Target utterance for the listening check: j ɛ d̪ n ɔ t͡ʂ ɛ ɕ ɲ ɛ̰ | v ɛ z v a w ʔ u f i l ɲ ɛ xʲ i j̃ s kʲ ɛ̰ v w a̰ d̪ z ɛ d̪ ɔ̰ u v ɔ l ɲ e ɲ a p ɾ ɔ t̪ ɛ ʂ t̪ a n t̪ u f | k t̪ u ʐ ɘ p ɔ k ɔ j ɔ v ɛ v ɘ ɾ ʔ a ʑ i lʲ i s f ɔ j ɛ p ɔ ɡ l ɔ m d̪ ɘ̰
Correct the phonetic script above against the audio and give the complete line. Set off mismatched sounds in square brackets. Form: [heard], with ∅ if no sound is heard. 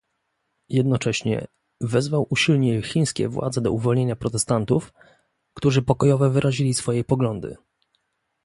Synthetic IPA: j ɛ d̪ n ɔ t͡ʂ ɛ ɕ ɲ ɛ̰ | v ɛ z v a w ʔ u [ɕ] i l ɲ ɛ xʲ i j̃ s kʲ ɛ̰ v w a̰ d̪ z ɛ d̪ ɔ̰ u v ɔ l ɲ e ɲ a p ɾ ɔ t̪ ɛ [s] t̪ a n t̪ u f | k t̪ u ʐ ɘ p ɔ k ɔ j ɔ v ɛ v ɘ ɾ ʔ a ʑ i lʲ i s f ɔ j ɛ p ɔ ɡ l ɔ [n] d̪ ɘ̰